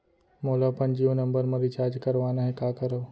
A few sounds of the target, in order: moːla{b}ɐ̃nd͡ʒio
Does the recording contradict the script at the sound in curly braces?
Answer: yes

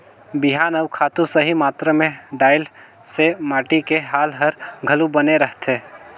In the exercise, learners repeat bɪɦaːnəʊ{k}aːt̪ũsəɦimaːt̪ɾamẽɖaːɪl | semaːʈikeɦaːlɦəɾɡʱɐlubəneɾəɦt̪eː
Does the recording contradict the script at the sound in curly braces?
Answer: yes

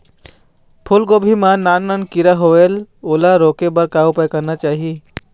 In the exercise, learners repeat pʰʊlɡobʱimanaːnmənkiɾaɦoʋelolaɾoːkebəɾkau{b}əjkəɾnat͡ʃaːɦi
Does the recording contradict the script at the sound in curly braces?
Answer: yes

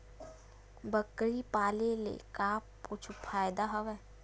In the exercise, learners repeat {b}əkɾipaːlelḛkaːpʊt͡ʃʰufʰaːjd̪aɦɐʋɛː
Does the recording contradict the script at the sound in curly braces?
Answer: no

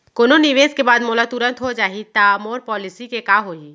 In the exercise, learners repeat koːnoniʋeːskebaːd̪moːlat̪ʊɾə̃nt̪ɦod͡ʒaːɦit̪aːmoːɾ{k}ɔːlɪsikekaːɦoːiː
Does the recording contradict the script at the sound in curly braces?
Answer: yes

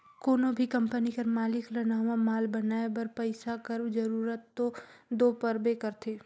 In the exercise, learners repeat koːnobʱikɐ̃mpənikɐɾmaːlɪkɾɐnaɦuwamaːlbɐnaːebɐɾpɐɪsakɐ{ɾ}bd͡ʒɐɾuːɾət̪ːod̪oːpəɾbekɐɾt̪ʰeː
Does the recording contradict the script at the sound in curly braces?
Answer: no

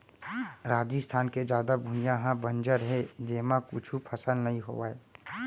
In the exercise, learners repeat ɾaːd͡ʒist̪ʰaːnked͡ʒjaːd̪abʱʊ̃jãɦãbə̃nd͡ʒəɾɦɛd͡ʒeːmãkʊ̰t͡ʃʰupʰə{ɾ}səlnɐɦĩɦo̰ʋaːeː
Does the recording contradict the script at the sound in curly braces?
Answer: yes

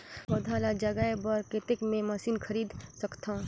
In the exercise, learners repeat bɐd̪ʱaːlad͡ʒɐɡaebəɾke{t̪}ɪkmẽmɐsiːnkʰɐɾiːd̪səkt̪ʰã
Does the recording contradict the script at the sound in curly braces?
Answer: no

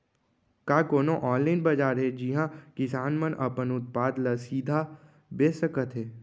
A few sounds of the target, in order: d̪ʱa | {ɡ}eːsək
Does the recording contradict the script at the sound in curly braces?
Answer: yes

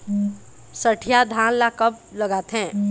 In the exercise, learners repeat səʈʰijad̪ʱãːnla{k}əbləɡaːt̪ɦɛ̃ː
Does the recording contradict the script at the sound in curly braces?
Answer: no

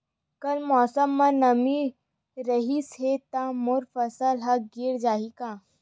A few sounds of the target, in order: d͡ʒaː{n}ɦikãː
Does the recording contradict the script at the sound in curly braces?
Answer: yes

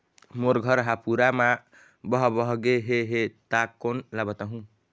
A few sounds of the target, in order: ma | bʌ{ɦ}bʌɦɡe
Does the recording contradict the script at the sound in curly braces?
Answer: no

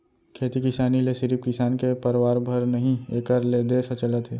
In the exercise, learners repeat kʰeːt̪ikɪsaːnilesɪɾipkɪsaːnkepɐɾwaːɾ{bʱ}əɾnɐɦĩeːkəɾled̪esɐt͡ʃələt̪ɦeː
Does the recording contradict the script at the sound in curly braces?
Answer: no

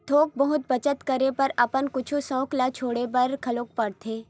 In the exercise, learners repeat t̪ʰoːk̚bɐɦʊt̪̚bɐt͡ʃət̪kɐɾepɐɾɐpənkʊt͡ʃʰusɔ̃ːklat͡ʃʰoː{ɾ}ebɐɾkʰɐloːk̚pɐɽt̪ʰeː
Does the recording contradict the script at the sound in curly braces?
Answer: yes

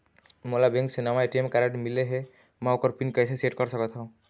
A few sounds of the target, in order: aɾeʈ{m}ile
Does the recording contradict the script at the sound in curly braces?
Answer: no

